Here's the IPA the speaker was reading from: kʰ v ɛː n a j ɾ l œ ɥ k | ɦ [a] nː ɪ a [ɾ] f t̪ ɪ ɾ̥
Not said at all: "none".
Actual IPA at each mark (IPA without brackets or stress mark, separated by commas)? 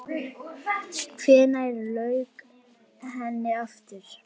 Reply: ɛ, none